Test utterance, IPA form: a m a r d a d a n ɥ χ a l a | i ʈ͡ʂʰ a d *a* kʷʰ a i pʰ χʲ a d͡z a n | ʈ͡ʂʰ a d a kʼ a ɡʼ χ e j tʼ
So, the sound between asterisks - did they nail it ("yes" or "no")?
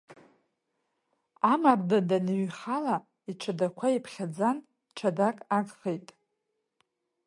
yes